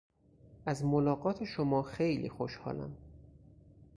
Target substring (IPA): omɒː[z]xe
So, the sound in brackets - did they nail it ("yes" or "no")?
no